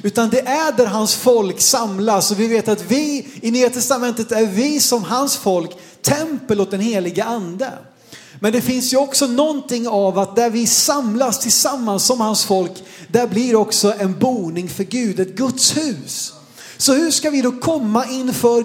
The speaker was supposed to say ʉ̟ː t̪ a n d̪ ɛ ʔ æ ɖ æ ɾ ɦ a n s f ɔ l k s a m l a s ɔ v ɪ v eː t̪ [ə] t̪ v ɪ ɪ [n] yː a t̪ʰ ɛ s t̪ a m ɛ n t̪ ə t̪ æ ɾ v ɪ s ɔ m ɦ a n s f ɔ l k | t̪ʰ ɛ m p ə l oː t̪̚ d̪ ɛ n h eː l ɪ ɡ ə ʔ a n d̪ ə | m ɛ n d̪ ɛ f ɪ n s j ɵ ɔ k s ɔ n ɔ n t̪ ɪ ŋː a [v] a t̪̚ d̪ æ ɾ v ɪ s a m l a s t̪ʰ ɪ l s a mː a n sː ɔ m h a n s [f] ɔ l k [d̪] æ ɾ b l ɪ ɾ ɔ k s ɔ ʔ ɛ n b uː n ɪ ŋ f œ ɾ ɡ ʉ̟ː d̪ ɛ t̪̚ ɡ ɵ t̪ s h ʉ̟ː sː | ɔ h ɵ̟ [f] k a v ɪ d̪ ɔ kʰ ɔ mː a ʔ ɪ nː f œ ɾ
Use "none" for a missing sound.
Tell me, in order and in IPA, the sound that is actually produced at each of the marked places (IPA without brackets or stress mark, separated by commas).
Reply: a, n, v, f, d̪, ʂ